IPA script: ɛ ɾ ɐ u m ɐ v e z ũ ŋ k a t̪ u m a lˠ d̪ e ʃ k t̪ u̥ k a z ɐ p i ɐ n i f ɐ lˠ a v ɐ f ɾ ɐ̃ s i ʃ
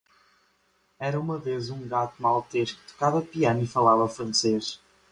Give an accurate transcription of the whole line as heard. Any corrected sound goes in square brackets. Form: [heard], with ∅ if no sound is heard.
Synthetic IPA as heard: ɛ ɾ ɐ u m ɐ v e z ũ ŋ [ɡ] a t̪ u m a lˠ [t̪] e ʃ k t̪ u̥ k a [v] ɐ p i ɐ n i f ɐ lˠ a v ɐ f ɾ ɐ̃ s [e] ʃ

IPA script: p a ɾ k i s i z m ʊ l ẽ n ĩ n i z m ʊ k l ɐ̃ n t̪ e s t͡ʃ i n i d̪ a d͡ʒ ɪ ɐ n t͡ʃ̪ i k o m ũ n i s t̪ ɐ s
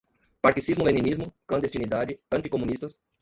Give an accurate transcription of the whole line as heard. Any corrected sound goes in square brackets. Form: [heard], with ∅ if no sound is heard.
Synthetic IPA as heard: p a ɾ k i s i z m ʊ l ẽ n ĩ n i z m ʊ k l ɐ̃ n [d̪] e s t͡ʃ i n i d̪ a d͡ʒ ɪ [ɐ̃] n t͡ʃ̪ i k o m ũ n i s t̪ ɐ s

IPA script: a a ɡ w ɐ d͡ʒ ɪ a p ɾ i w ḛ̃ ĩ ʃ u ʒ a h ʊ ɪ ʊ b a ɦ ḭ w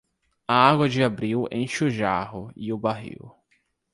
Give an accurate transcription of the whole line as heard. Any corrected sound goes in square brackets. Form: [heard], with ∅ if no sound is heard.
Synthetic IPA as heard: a a ɡ w ɐ d͡ʒ ɪ a [b] ɾ i w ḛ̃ [j̃] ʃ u ʒ a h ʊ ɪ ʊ b a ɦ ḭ w

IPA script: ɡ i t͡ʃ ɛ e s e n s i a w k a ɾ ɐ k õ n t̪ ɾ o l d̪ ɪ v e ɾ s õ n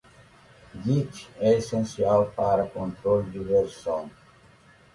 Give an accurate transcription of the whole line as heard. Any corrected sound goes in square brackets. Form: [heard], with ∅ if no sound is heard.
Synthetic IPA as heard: ɡ i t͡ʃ ɛ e s [ẽ] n s i a w [p] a ɾ ɐ k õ n t̪ ɾ o l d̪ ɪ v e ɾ s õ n

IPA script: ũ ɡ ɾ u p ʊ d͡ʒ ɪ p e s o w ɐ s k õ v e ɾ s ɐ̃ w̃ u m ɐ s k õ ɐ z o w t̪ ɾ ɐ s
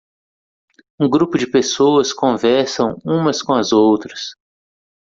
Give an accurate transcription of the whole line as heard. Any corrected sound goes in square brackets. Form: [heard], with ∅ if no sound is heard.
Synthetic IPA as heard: ũ ɡ ɾ u p ʊ d͡ʒ ɪ p e s o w ɐ s k õ v [ɛ] ɾ s ɐ̃ w̃ [ũ] m ɐ s k õ ɐ z o w t̪ ɾ ɐ s

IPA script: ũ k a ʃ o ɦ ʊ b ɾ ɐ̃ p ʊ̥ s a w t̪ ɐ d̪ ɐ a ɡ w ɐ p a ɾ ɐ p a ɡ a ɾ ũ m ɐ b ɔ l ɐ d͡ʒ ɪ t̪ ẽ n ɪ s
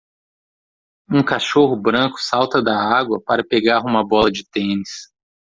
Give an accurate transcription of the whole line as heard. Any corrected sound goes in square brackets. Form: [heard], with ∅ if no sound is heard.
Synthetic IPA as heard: ũ k a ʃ o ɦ ʊ b ɾ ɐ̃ [k] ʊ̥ s a w t̪ ɐ d̪ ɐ a ɡ w ɐ p a ɾ ɐ p [e] ɡ a ɾ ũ m ɐ b ɔ l ɐ d͡ʒ ɪ t̪ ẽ n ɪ s

